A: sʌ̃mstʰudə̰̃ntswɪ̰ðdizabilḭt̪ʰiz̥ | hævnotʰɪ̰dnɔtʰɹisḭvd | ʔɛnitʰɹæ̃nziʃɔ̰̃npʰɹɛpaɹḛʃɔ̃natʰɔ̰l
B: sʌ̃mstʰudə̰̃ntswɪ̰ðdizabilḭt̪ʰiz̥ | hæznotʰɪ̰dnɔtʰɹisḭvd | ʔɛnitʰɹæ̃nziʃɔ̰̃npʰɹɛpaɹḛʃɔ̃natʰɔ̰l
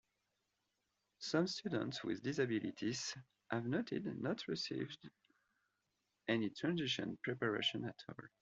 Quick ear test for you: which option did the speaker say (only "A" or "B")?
A